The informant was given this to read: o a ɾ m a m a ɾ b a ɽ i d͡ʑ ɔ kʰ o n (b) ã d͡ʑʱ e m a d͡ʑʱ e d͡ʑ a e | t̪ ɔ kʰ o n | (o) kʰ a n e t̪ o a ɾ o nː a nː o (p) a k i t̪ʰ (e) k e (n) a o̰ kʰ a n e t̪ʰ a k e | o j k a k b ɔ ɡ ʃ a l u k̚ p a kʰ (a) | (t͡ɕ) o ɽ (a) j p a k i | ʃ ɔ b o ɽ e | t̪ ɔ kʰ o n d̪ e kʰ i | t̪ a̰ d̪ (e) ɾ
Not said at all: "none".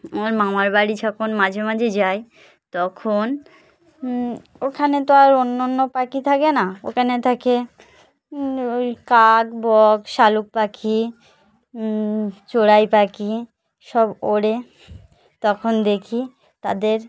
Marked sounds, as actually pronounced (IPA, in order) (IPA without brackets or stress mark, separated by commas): m, o, p, a, n, i, t͡ɕ, a, e